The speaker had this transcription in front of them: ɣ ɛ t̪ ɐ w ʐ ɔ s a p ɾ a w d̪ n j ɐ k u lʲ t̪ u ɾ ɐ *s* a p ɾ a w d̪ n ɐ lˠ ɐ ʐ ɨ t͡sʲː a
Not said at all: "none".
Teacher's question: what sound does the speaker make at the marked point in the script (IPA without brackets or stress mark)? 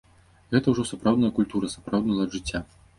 s